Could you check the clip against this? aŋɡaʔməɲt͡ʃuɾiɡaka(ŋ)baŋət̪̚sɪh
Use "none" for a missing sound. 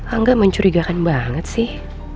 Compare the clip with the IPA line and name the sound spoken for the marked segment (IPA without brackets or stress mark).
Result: n